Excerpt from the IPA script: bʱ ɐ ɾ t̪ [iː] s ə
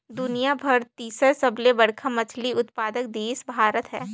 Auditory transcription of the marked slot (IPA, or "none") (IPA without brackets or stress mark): iː